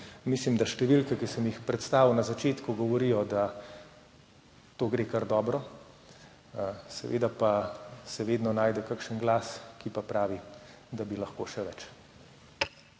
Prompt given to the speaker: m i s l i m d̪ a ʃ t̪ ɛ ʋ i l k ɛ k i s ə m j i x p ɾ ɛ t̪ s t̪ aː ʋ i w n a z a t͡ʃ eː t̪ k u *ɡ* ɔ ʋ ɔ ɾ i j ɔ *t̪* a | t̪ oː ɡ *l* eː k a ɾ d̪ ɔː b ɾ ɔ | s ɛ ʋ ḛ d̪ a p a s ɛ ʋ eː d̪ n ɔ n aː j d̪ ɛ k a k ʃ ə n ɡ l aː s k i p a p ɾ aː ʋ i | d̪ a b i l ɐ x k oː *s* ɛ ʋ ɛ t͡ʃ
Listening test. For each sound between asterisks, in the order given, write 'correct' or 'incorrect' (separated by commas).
correct, incorrect, incorrect, incorrect